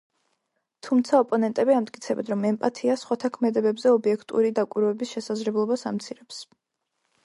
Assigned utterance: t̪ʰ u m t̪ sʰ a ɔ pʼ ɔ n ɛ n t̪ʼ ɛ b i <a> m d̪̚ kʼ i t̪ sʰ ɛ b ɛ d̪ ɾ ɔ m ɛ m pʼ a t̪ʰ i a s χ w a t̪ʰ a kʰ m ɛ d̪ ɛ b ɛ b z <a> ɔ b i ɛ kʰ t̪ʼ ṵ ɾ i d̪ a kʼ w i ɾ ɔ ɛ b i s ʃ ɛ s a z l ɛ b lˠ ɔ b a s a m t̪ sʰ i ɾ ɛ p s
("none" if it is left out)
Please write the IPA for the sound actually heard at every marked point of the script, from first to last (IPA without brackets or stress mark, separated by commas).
a, ɛ